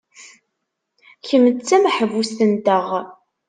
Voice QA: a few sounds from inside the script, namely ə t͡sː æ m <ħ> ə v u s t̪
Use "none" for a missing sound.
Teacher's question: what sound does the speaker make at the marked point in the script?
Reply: ħ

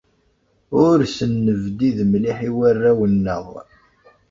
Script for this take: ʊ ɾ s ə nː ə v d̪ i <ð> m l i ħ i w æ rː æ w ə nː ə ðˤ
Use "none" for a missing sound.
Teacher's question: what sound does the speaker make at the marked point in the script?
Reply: ð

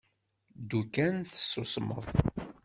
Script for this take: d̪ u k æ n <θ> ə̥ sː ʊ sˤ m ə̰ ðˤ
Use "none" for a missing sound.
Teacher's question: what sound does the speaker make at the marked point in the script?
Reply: θ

